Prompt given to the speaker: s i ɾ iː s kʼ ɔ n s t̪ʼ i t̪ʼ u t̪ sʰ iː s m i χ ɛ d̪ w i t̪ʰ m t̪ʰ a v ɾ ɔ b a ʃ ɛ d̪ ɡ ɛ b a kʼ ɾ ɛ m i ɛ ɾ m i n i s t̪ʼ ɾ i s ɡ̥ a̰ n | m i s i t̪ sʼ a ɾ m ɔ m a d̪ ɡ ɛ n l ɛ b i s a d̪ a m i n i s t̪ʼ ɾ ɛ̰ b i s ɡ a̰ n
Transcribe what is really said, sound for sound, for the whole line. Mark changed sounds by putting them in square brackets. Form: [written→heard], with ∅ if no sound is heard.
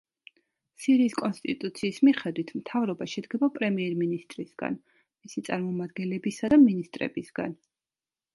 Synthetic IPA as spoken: s i ɾ iː s kʼ ɔ n s t̪ʼ i t̪ʼ u t̪ sʰ iː s m i χ ɛ d̪ w i t̪ʰ m t̪ʰ a v ɾ ɔ b a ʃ ɛ d̪ ɡ ɛ b a [kʼ→pʼ] ɾ ɛ m i ɛ ɾ m i n i s t̪ʼ ɾ i s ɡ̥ a̰ n | m i s i t̪ sʼ a ɾ m ɔ m a d̪ ɡ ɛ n l ɛ b i s a d̪ a m i n i s t̪ʼ ɾ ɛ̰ b i s ɡ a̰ n